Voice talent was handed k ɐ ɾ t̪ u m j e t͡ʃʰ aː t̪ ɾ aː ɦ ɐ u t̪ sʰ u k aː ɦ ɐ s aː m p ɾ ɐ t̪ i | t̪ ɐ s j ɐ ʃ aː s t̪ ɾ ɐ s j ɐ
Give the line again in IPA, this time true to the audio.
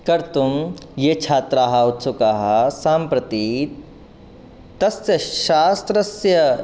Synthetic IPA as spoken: k ɐ ɾ t̪ u m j e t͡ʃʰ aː t̪ ɾ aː ɦ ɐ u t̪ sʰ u k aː ɦ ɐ s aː m p ɾ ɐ t̪ i | t̪ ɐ s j ɐ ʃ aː s t̪ ɾ ɐ s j ɐ

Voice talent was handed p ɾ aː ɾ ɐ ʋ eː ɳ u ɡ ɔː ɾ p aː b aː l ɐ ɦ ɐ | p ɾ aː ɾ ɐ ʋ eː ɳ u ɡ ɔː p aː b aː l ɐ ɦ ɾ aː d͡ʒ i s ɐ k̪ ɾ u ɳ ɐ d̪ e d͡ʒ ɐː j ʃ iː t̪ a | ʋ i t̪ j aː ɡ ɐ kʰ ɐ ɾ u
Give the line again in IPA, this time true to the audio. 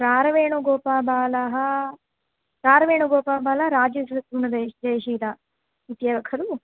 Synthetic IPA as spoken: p ɾ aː ɾ ɐ ʋ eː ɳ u ɡ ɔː p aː b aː l ɐ ɦ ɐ | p ɾ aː ɾ ɐ ʋ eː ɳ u ɡ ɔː p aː b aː l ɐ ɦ ɾ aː d͡ʒ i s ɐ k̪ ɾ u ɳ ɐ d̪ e d͡ʒ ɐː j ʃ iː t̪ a | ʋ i t̪ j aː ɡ ɐ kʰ ɐ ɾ u

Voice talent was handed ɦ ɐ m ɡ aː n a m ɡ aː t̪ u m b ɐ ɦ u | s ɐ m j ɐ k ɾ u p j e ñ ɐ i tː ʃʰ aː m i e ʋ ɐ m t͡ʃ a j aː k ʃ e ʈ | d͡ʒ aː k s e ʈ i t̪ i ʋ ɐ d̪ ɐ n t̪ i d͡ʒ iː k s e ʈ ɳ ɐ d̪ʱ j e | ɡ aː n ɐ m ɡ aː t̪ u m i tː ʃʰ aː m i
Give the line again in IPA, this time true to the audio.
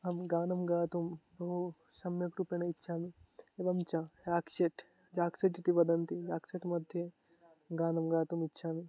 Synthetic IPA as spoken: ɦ ɐ m ɡ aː n ɐ m ɡ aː t̪ u m b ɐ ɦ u | s ɐ m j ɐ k ɾ u p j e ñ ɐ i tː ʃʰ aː m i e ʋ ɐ m t͡ʃ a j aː k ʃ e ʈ | d͡ʒ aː k s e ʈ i t̪ i ʋ ɐ d̪ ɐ n t̪ i d͡ʒ aː k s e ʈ m ɐ d̪ʱ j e | ɡ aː n ɐ m ɡ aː t̪ u m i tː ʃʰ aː m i

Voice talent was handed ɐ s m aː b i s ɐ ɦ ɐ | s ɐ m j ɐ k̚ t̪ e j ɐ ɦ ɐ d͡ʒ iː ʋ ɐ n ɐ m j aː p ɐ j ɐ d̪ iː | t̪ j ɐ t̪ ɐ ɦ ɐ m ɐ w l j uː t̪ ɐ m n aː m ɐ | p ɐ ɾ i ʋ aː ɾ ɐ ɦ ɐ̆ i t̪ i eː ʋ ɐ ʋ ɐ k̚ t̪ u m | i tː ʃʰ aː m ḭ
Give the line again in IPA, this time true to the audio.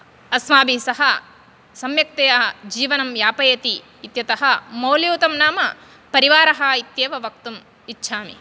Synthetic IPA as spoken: ɐ s m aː b i s ɐ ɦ ɐ | s ɐ m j ɐ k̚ t̪ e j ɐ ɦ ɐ d͡ʒ iː ʋ ɐ n ɐ m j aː p ɐ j ɐ t̪ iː | t̪ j ɐ t̪ ɐ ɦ ɐ m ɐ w l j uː t̪ ɐ m n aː m ɐ | p ɐ ɾ i ʋ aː ɾ ɐ ɦ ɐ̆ i t̪ j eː ʋ ɐ ʋ ɐ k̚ t̪ u m | i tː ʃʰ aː m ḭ

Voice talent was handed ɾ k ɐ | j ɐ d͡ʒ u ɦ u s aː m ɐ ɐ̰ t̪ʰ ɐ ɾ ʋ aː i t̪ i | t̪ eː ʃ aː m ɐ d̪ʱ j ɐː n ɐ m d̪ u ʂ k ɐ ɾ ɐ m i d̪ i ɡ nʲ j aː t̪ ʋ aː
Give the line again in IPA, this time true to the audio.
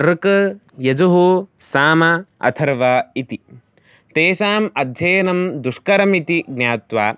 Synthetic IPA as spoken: ɾ k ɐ | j ɐ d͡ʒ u ɦ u s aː m ɐ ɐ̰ t̪ʰ ɐ ɾ ʋ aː i t̪ i | t̪ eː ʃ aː m ɐ d̪ʱ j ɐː n ɐ m d̪ u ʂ k ɐ ɾ ɐ m i t̪ i ɡ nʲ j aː t̪ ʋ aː

